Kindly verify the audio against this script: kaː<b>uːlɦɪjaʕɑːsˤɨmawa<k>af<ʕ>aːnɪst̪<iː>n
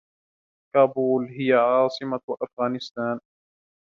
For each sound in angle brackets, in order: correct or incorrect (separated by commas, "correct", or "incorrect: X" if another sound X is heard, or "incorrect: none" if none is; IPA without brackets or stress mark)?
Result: correct, incorrect: ʔ, incorrect: ɣ, incorrect: aː